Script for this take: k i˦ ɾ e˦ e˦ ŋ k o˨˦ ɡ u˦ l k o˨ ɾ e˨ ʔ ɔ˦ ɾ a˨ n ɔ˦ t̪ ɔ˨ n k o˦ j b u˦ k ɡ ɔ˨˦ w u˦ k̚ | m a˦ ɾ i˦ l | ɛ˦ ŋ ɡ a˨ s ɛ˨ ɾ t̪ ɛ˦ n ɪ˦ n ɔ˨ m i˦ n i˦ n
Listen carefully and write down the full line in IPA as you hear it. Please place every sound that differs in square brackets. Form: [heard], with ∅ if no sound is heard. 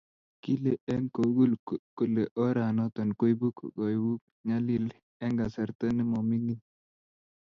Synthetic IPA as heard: k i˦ [l] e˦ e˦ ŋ k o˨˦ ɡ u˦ l k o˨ [l] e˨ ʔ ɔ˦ ɾ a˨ n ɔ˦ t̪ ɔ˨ n k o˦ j b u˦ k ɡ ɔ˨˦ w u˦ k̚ | [ɲ] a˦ [l] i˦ l | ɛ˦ ŋ ɡ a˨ s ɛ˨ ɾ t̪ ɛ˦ n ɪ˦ [m] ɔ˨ m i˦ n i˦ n

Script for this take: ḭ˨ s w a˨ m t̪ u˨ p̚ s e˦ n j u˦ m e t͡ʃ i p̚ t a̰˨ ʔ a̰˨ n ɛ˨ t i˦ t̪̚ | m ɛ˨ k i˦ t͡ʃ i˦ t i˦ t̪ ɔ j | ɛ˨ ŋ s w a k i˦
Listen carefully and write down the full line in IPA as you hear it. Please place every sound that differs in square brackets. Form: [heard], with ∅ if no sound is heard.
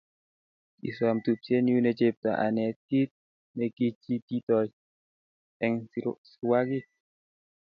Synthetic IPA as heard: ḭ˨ s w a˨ m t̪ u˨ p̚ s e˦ n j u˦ [n] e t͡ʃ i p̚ t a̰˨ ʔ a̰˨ n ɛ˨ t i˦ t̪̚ | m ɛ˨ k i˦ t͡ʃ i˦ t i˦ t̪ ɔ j | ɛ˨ ŋ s w a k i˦

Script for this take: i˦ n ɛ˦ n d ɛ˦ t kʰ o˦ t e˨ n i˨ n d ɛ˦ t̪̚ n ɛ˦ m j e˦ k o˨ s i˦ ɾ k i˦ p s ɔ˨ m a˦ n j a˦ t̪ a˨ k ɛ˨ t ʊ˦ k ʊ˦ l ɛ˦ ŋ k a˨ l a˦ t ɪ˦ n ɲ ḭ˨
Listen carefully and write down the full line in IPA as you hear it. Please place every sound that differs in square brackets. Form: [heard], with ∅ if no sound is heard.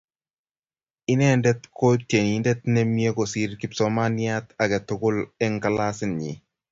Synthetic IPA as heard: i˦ n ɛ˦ n d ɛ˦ t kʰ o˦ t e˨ n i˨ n d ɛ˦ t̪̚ n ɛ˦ m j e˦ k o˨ s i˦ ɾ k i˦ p s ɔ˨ m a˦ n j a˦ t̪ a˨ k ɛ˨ t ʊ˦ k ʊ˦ l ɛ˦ ŋ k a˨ l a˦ [s] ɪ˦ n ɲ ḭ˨

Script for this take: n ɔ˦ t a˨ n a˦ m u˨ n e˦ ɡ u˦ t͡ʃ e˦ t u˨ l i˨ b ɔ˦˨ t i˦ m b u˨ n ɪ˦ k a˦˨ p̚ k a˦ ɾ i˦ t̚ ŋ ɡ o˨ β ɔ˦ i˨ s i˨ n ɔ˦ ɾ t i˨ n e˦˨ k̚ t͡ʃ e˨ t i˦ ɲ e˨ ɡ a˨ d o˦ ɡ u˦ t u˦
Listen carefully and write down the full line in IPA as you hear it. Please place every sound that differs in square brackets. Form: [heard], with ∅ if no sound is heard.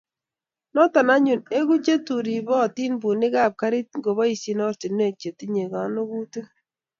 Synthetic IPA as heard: n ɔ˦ t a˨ n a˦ [ɲ] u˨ n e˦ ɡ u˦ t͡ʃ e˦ t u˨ [ɾ] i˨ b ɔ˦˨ t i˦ [n] b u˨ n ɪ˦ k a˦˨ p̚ k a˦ ɾ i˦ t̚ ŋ ɡ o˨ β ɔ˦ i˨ s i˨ n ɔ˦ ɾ t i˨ n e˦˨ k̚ t͡ʃ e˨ t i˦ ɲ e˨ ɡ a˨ [n] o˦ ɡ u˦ t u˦

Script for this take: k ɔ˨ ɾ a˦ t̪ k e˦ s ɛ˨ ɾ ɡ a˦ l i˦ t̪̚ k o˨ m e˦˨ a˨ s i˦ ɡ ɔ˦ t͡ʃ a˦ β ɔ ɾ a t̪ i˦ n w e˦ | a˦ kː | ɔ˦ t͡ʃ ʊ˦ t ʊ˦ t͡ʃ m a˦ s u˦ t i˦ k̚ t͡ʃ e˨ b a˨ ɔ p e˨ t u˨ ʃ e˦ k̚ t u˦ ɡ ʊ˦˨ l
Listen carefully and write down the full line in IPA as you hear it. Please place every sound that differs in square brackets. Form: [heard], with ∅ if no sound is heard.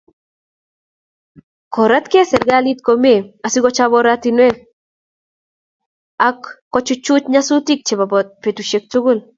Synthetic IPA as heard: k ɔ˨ ɾ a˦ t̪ k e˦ s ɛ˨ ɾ ɡ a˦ l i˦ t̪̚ k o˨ m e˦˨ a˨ s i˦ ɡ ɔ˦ t͡ʃ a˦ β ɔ ɾ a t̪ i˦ n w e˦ | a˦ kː | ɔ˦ t͡ʃ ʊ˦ [t͡ʃ] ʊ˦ t͡ʃ [ɲ] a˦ s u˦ t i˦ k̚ t͡ʃ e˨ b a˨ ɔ p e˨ t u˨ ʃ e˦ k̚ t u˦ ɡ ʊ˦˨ l

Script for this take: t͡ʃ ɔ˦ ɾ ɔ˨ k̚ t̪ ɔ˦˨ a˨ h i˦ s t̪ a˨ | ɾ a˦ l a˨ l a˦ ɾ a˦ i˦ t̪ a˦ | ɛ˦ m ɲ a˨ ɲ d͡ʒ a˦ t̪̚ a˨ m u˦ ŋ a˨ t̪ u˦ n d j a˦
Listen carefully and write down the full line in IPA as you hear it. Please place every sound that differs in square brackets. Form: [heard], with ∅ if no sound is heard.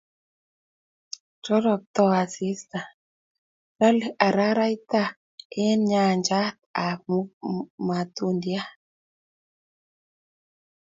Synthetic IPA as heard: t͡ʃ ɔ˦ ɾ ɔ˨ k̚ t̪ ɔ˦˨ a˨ [s] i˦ s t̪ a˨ | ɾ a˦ l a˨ [ɾ] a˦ ɾ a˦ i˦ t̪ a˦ | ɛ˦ [n] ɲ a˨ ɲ d͡ʒ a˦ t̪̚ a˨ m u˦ [m] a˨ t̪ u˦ n d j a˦

